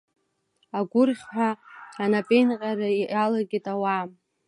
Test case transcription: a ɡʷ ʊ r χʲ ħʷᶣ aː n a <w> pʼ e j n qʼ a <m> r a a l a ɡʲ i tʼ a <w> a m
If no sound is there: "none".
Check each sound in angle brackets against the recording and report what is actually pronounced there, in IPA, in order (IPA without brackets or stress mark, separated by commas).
none, none, w